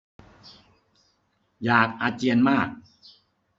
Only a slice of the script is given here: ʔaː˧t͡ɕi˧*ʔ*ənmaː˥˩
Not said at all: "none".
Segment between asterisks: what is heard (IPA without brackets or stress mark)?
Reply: none